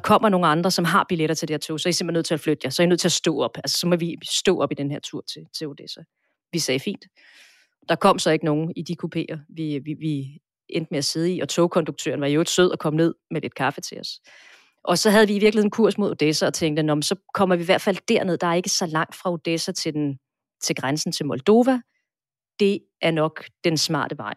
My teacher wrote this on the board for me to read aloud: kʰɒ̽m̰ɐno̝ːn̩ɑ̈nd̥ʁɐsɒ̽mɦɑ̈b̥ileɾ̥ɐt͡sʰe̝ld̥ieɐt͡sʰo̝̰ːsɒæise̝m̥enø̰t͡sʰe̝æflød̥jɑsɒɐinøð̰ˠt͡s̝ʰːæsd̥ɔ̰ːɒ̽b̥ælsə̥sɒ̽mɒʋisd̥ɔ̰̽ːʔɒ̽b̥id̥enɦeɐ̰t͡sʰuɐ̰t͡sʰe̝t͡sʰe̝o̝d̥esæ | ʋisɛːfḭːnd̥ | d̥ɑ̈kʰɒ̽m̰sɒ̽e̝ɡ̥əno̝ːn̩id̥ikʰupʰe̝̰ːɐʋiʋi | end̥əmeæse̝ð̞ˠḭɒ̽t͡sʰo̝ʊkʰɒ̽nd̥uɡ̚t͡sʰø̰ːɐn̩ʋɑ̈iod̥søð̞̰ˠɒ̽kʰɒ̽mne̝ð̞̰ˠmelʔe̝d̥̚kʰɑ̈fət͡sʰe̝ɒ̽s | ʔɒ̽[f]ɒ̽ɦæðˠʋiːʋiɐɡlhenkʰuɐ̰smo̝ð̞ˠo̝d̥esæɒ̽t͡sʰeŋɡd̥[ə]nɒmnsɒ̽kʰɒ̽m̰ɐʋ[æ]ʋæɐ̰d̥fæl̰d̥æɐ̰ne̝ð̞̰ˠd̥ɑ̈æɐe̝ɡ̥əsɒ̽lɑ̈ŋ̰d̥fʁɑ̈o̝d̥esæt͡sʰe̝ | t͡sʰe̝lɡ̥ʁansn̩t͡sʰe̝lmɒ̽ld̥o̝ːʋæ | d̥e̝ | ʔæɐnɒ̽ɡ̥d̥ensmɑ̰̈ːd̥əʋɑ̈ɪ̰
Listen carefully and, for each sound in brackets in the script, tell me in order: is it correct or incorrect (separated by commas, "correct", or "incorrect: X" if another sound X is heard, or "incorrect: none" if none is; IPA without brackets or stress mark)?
incorrect: s, correct, incorrect: i